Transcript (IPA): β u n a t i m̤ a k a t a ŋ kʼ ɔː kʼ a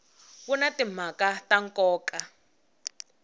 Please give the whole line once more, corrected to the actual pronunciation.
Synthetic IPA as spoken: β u n a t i m̤ a k a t a ŋ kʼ ɔː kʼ a